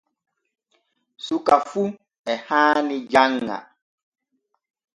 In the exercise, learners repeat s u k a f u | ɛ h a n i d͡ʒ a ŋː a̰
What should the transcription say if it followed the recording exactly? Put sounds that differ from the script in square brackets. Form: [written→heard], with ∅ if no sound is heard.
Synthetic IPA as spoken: s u k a f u | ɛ h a n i d͡ʒ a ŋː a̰

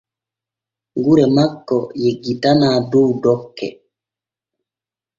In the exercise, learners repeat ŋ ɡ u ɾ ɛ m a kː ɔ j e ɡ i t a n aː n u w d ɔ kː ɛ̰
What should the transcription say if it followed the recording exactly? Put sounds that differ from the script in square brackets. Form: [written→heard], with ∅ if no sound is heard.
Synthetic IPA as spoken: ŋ ɡ u ɾ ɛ m a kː ɔ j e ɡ i t a n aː [n→d] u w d ɔ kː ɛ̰

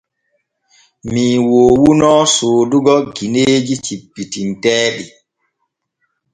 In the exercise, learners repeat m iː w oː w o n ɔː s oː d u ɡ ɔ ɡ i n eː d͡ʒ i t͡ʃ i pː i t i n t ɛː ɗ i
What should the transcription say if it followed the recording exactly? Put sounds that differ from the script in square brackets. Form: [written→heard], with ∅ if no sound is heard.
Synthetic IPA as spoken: m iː w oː w [o→u] n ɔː s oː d u ɡ ɔ ɡ i n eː d͡ʒ i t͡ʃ i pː i t i n t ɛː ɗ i

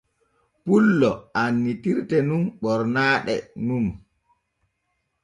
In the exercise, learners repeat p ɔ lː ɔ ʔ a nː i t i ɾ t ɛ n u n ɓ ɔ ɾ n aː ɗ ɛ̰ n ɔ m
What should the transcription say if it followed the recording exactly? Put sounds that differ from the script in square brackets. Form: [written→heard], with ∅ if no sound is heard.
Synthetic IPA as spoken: p [ɔ→u] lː ɔ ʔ a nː i t i ɾ t ɛ n u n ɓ ɔ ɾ n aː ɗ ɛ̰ n [ɔ→u] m

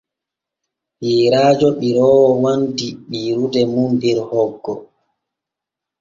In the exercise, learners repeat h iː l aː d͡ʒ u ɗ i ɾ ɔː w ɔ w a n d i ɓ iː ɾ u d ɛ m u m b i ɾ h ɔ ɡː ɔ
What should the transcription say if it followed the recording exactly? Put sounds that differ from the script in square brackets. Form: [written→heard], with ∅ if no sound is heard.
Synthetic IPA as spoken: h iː [l→ɾ] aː d͡ʒ [u→ɔ] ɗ i ɾ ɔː w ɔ w a n d i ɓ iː ɾ u d ɛ m u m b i ɾ h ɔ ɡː ɔ

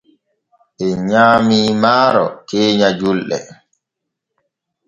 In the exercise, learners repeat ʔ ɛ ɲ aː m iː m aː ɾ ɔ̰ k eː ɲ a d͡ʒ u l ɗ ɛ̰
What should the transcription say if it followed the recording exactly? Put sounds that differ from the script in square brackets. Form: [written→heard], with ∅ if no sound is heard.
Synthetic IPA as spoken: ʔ ɛ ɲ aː m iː m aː ɾ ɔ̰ k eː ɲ a d͡ʒ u l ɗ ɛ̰

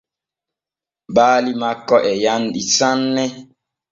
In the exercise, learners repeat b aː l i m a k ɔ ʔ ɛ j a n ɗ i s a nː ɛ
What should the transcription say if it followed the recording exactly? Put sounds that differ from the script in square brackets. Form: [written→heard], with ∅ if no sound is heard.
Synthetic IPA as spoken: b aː l i m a k ɔ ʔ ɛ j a n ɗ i s a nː ɛ

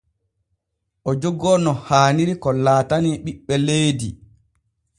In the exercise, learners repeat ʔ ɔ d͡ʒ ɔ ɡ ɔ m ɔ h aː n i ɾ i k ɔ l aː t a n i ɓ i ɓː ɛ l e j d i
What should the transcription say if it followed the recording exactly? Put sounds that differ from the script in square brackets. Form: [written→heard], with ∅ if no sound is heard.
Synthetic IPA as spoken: ʔ ɔ d͡ʒ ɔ ɡ ɔ [m→n] ɔ h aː n i ɾ i k ɔ l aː t a n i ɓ i ɓː ɛ l e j d i

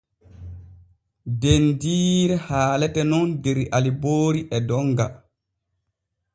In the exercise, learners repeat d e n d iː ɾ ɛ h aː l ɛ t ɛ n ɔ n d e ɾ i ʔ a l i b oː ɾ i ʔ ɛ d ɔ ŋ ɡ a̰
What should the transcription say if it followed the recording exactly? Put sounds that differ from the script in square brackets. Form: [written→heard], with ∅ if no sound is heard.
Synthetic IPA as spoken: d e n d iː ɾ ɛ h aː l ɛ t ɛ n ɔ n d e ɾ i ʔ a l i b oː ɾ i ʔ ɛ d ɔ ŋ ɡ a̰

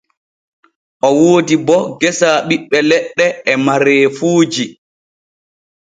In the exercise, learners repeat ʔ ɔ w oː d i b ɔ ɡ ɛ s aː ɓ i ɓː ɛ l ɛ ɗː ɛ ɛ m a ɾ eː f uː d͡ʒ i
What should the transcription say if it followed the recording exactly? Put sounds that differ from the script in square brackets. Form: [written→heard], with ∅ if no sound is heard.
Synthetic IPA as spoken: ʔ ɔ w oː d i b ɔ ɡ ɛ s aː ɓ i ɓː ɛ l ɛ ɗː ɛ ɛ m a ɾ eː f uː d͡ʒ i

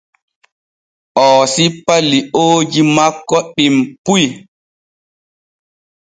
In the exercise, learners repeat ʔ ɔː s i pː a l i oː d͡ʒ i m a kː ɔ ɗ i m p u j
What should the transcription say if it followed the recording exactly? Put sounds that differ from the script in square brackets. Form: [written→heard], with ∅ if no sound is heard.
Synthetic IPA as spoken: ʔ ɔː s i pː a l i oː d͡ʒ i m a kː ɔ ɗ i m p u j

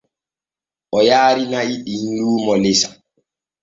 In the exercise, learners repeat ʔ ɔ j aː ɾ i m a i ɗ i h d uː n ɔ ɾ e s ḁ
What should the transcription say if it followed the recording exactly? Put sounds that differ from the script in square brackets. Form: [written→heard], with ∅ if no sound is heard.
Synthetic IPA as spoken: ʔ ɔ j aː ɾ i [m→n] a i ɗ i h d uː [n→m] ɔ [ɾ→l] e s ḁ

